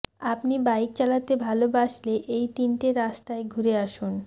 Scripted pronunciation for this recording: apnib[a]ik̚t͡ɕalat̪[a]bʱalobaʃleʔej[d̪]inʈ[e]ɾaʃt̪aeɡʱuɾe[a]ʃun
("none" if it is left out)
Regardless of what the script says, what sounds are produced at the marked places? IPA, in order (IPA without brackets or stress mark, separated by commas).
a, e, t̪, e, a